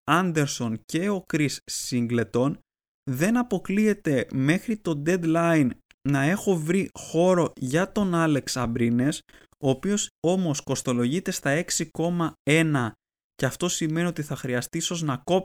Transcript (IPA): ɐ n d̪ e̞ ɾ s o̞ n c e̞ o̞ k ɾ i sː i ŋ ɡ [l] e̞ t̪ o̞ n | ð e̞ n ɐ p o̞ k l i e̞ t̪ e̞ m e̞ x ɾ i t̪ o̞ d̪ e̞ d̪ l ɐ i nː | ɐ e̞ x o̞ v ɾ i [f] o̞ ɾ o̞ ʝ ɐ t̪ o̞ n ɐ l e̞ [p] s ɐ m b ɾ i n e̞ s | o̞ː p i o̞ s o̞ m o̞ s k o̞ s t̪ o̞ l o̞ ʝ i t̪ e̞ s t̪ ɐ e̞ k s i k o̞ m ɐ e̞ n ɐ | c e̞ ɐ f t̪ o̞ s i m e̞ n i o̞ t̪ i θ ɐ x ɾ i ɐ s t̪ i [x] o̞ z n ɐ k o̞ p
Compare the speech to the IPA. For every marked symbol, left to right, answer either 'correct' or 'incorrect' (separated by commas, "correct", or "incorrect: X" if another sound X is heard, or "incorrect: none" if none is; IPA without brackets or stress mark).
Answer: correct, incorrect: x, incorrect: k, incorrect: s